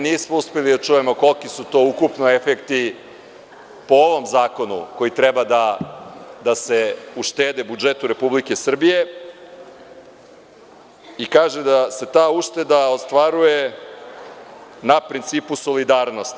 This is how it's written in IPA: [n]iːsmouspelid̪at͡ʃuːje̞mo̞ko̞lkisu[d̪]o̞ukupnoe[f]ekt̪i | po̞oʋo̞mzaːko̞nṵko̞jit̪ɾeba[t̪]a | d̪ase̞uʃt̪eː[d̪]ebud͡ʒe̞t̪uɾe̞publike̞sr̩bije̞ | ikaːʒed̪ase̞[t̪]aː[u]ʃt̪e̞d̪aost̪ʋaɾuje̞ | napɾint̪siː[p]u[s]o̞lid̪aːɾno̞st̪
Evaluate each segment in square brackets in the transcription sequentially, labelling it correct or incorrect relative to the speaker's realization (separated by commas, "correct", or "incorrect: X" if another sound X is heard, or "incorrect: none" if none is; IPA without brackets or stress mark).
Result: correct, incorrect: t̪, correct, incorrect: d̪, correct, correct, correct, correct, correct